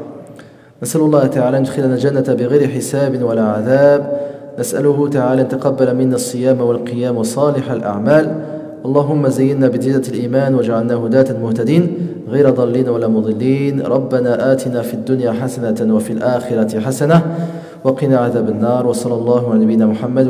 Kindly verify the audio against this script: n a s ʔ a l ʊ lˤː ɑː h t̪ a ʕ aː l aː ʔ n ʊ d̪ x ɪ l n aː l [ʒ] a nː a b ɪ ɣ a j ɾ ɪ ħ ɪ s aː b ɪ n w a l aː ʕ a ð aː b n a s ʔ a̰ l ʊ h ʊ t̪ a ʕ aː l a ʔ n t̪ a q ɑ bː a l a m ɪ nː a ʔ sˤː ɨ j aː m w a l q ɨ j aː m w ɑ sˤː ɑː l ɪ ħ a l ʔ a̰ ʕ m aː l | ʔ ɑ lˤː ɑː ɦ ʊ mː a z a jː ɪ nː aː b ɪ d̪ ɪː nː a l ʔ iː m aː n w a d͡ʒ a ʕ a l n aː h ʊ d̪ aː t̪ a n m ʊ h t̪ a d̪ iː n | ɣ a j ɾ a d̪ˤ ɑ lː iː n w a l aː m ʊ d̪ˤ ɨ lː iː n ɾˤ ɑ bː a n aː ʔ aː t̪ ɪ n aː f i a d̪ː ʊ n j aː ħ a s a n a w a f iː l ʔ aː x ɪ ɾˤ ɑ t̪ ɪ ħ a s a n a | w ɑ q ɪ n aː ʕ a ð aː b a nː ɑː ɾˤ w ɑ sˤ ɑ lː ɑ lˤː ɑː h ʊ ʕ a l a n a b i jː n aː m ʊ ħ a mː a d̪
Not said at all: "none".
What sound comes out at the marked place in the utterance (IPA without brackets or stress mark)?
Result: d͡ʒ